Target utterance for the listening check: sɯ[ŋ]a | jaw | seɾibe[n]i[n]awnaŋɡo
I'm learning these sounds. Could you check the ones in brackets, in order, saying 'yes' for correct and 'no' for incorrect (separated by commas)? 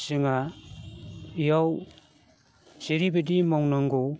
yes, no, no